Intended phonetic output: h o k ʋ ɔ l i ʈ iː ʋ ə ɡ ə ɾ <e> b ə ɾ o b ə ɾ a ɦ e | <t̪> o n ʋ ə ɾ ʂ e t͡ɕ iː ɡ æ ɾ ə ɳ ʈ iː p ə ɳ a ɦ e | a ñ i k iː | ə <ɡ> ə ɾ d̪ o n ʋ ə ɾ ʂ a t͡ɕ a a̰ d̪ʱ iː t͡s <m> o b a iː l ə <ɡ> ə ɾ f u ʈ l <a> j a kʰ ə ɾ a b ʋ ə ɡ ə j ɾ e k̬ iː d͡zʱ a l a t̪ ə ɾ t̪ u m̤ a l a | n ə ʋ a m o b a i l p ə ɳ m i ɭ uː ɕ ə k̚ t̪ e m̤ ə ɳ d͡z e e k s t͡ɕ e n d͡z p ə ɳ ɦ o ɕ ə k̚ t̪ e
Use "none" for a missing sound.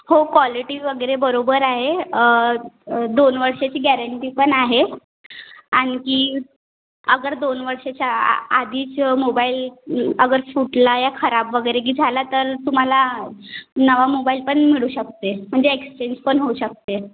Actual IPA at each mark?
e, d̪, ɡ, m, ɡ, a

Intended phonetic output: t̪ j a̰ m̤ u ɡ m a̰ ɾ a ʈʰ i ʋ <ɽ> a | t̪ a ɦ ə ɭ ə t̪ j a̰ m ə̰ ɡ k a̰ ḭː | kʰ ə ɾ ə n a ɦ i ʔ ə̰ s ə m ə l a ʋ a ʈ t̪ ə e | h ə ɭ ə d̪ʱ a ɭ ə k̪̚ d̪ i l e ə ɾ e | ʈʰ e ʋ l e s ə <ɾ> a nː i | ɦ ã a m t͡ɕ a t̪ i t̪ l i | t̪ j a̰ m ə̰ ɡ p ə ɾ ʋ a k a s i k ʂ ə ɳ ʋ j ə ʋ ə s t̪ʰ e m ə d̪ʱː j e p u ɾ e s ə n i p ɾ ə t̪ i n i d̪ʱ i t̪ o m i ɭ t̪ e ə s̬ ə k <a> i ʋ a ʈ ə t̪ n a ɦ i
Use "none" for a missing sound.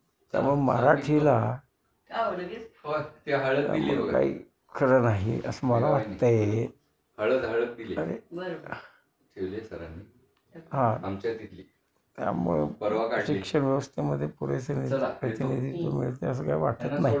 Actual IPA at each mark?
l, ɾ, a

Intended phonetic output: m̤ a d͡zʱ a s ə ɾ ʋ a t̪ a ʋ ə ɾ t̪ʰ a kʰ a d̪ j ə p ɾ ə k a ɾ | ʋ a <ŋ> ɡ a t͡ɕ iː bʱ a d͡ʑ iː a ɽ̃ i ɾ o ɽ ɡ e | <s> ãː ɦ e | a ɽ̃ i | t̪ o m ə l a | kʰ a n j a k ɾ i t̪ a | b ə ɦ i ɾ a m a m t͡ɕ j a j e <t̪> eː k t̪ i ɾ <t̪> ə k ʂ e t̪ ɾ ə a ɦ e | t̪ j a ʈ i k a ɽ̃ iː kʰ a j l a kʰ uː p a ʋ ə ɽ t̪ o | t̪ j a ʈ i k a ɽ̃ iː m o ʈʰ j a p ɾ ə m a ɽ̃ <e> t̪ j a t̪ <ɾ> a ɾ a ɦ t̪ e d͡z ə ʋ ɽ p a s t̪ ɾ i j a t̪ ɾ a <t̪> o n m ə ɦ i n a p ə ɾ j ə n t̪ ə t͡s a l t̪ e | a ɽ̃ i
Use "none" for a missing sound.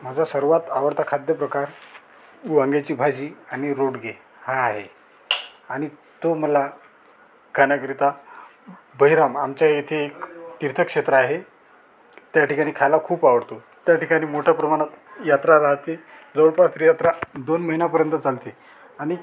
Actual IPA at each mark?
ŋ, h, t̪ʰ, t̪ʰ, a, ɾ, d̪

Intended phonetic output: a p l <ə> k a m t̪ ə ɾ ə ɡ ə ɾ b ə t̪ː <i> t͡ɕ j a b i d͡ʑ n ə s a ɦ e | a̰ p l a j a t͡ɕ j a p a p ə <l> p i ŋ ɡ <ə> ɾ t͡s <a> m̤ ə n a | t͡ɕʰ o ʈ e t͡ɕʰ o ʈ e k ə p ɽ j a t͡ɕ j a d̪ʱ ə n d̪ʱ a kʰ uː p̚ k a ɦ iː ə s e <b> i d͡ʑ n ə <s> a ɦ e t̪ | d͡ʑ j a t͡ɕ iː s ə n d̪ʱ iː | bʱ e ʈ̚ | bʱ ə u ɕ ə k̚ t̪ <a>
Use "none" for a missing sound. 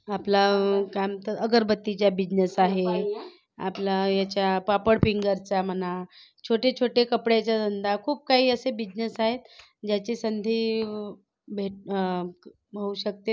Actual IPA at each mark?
a, i, ɽ, ə, a, b, s, e

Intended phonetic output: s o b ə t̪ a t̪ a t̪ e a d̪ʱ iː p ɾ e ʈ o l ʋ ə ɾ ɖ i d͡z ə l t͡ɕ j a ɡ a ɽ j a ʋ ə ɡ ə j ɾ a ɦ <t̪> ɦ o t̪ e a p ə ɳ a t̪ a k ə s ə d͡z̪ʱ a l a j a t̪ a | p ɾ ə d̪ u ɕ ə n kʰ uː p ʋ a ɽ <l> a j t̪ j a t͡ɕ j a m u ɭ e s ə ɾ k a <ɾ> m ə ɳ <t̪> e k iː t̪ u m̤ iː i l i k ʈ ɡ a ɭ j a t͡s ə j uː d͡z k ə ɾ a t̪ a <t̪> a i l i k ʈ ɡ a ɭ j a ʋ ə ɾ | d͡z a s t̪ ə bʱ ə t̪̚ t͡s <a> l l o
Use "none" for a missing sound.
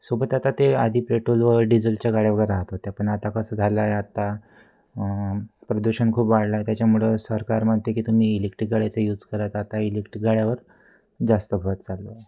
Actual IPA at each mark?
t̪, l, ɾ, t̪, t̪, a

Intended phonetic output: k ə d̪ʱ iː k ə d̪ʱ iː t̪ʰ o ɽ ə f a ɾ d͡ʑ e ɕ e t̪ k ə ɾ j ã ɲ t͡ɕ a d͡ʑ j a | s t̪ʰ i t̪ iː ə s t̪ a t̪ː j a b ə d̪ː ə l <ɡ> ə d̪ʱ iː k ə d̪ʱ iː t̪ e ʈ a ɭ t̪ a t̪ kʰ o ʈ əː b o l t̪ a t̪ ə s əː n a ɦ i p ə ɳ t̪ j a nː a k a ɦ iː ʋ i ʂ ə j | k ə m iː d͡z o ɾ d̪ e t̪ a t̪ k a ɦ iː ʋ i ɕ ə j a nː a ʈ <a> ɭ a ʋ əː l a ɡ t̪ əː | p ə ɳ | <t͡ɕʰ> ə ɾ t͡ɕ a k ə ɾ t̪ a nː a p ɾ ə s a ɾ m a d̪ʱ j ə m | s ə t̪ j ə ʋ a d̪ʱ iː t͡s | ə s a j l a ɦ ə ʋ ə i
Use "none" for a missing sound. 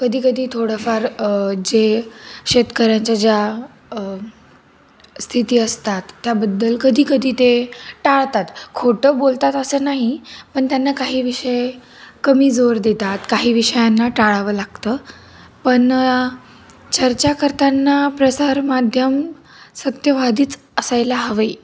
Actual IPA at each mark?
k, a, t͡ɕ

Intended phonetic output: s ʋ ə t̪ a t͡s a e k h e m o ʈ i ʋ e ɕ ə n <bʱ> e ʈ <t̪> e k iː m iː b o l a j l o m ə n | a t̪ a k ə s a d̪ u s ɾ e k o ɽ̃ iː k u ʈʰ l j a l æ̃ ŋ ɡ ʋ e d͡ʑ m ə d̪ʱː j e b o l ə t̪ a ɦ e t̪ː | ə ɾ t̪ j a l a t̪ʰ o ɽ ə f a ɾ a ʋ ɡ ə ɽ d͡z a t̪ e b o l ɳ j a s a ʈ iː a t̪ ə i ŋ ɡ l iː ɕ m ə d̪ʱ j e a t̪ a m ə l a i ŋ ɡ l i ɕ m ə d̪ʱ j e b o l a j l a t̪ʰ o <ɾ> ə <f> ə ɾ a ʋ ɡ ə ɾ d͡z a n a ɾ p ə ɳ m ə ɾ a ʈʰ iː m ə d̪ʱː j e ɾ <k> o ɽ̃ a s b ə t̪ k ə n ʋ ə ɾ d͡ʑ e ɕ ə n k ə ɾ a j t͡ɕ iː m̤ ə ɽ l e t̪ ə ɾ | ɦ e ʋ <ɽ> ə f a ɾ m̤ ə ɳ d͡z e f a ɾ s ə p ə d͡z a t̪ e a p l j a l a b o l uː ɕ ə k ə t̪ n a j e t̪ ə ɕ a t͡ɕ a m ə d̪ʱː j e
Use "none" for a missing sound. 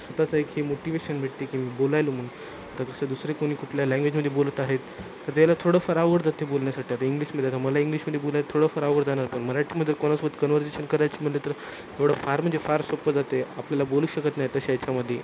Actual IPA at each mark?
bʱ, t̪, ɽ, f, k, ɽ

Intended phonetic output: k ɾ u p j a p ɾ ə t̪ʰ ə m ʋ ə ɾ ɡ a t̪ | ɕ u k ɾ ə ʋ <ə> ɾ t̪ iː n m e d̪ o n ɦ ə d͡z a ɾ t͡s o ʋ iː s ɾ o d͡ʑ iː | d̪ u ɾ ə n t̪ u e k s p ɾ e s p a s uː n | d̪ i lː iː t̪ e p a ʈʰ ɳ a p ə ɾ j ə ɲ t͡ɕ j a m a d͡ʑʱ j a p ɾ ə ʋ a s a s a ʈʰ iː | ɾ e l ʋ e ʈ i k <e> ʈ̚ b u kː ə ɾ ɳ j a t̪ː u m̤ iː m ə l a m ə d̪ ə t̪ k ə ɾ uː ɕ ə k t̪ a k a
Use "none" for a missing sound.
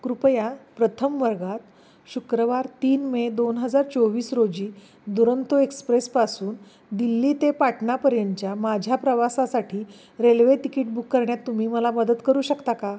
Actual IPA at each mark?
a, i

